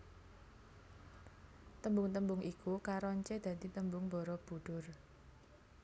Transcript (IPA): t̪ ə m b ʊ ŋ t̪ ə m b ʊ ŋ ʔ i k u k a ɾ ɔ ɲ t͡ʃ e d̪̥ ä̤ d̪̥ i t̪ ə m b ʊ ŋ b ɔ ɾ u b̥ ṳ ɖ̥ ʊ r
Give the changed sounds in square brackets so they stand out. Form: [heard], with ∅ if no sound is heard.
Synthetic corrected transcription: t̪ ə m b ʊ ŋ t̪ ə m b ʊ ŋ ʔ i k u k a ɾ ɔ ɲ t͡ʃ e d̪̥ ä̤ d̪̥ i t̪ ə m b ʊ ŋ b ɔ ɾ [ɔ] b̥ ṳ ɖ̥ ʊ r